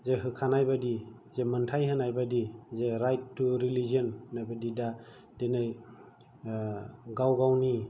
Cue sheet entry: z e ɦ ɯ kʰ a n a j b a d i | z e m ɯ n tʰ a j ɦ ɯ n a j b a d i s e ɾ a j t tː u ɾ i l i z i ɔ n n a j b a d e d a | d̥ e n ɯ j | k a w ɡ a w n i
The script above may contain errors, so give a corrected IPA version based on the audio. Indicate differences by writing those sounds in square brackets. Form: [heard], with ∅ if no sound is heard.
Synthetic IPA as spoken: z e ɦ ɯ kʰ a n a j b a d i | z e m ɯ n tʰ a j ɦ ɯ n a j b a d i [z] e ɾ a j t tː u ɾ i l i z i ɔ n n a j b a d [i] d a | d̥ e n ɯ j | [ɡ] a w ɡ a w n i